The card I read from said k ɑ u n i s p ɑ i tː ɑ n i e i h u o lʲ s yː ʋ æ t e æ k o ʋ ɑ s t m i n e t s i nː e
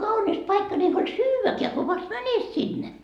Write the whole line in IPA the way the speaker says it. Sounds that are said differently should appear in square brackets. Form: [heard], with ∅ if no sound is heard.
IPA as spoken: k ɑ u n i s p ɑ i [kː] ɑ n i e i h u o lʲ s yː ʋ æ [k] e æ k o ʋ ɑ s t m [æ] n e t s i nː e